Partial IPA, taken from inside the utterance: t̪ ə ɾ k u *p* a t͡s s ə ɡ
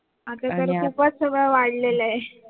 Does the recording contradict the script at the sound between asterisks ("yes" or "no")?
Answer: no